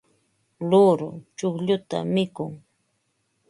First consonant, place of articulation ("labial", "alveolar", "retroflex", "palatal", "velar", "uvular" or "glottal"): alveolar